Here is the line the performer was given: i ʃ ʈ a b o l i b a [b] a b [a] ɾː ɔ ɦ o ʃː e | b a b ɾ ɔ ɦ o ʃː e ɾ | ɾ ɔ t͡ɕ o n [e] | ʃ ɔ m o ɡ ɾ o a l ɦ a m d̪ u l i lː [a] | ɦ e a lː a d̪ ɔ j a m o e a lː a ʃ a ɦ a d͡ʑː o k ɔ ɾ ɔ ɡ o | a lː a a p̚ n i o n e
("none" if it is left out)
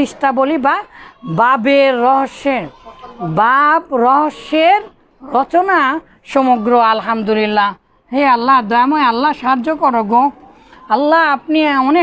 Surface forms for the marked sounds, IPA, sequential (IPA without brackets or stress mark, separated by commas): b, e, a, a